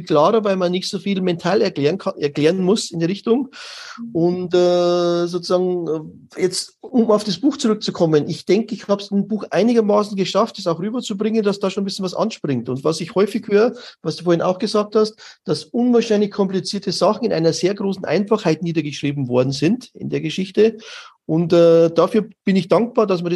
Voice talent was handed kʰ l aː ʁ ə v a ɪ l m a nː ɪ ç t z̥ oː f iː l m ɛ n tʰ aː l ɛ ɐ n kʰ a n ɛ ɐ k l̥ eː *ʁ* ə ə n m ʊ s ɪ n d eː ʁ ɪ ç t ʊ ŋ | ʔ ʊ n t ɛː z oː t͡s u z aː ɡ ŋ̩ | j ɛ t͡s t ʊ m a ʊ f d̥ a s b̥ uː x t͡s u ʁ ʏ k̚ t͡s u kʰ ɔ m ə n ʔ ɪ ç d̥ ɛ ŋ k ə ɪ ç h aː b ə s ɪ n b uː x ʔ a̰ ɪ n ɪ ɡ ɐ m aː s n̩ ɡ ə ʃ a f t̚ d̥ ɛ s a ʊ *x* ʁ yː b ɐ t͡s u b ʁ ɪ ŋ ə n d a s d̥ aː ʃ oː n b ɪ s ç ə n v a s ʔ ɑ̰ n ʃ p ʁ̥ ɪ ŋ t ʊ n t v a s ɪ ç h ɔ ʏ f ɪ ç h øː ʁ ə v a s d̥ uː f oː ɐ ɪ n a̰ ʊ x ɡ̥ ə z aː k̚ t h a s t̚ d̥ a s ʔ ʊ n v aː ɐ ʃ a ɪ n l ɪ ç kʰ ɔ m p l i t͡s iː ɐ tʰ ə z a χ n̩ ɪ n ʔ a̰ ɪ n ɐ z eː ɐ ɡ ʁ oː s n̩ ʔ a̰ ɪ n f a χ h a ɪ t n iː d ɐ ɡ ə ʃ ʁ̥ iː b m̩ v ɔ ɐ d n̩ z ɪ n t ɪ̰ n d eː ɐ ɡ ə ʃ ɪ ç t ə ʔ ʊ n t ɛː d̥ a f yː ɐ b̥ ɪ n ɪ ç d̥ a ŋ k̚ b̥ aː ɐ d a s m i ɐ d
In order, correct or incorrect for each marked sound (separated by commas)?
correct, correct